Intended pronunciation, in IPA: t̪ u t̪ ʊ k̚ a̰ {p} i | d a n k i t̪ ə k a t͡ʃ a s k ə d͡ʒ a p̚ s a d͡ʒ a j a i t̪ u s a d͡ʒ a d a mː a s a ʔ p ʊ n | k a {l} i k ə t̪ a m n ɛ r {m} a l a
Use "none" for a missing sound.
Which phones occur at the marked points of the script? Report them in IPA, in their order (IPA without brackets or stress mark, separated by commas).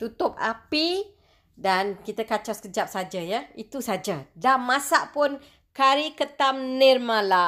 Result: p, ɾ, m